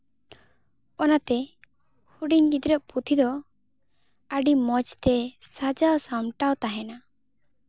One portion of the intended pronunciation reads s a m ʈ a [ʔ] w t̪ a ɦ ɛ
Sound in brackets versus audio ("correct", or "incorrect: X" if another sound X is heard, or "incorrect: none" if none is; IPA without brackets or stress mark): incorrect: none